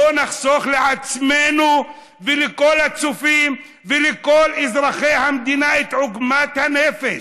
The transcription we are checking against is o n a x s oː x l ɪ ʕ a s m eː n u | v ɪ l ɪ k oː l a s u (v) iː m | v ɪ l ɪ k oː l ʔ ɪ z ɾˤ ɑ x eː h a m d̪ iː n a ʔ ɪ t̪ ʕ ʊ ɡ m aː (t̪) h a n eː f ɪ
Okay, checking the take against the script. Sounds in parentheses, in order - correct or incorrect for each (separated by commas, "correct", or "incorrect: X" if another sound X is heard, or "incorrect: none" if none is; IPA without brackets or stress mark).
incorrect: f, correct